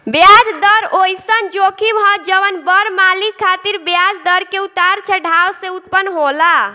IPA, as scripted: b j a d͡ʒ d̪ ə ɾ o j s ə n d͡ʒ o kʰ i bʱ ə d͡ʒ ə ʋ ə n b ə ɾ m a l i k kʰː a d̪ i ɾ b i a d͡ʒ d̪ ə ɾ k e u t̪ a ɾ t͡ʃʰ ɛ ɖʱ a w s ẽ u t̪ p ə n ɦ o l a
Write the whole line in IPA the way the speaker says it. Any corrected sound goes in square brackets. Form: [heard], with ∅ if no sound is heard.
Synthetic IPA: b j a d͡ʒ d̪ ə ɾ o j s ə n d͡ʒ o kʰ i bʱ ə d͡ʒ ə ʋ ə n b ə ɾ m a l i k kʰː a [t̪] i ɾ b [j] a d͡ʒ d̪ ə ɾ k e u t̪ a ɾ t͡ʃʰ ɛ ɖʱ a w s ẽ u t̪ p ə n ɦ o l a